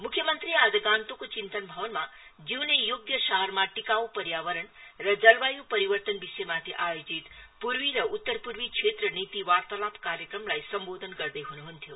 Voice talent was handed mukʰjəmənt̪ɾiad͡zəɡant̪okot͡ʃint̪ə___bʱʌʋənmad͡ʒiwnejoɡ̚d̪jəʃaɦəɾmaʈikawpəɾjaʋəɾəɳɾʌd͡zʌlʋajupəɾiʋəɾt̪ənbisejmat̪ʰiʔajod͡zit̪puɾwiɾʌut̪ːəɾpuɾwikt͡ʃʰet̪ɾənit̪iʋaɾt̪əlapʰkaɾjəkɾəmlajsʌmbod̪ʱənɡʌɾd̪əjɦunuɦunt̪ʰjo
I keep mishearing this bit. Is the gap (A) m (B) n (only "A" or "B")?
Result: B